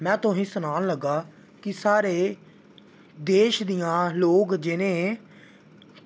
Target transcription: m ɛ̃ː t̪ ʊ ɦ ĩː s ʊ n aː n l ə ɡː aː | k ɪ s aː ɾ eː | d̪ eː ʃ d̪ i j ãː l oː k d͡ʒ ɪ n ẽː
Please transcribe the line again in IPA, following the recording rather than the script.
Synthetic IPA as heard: m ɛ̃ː t̪ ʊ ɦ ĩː s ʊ n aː n l ə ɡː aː | k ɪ s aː ɾ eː | d̪ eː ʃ d̪ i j ãː l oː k d͡ʒ ɪ n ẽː